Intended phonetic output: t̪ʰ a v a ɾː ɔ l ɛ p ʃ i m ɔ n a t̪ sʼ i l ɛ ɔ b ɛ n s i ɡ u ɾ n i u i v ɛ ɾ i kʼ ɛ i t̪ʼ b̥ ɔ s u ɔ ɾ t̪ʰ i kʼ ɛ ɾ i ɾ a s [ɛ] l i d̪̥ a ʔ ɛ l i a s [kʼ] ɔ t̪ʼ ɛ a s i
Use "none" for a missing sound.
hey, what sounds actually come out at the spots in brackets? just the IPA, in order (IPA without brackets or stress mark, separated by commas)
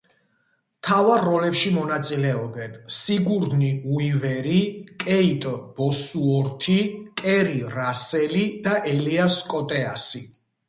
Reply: ɛ, kʼ